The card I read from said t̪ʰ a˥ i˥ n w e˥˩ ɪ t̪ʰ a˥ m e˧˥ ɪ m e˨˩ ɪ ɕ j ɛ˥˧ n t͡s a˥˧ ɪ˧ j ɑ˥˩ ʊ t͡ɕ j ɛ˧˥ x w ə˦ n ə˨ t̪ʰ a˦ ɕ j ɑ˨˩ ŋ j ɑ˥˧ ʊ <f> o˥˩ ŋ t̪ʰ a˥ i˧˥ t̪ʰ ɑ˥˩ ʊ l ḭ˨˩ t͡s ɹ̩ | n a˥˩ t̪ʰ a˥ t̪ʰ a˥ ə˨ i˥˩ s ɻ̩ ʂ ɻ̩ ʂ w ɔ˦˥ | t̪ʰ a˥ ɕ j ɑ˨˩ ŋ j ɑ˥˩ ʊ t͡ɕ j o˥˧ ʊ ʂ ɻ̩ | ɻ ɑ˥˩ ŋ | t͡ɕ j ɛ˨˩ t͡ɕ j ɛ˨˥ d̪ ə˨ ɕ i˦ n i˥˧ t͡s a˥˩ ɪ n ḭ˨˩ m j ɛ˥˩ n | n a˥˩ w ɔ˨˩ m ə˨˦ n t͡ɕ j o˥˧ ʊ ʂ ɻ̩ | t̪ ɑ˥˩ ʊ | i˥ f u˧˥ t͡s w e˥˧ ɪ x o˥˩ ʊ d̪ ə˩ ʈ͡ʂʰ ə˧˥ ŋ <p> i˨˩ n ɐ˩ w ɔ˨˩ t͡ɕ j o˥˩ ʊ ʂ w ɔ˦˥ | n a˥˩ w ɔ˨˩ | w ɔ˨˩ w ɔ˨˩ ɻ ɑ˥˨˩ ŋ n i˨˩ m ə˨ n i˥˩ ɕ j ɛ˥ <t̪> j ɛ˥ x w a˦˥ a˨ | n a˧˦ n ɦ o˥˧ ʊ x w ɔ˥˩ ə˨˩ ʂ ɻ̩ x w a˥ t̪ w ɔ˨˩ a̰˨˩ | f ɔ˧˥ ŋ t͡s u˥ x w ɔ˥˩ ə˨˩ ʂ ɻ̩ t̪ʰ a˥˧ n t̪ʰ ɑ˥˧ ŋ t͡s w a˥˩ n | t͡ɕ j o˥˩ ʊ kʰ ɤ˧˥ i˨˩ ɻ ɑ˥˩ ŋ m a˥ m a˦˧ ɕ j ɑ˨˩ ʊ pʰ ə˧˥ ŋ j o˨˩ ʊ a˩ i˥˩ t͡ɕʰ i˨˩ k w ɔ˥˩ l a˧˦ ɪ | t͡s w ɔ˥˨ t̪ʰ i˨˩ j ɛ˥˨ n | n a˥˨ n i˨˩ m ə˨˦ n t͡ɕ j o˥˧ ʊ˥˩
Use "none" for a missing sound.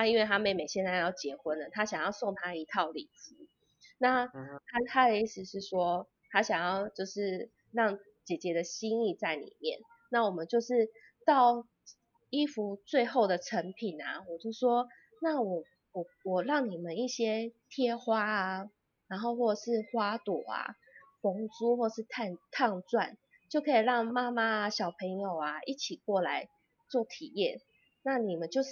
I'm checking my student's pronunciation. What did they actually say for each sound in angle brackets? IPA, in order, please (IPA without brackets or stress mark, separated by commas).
s, pʰ, t̪ʰ